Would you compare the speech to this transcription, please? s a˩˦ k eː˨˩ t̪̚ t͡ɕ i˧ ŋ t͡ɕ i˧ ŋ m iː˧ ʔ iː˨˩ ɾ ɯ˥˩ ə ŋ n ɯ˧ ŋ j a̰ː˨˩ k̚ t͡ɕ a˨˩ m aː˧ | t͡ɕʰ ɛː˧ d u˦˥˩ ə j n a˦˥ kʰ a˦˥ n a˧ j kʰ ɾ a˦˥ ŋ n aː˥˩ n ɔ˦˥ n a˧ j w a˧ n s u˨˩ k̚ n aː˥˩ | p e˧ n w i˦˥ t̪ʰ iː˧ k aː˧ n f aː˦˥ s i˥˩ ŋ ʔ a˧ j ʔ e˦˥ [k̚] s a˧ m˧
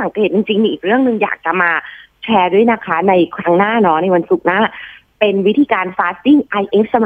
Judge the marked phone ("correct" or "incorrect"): incorrect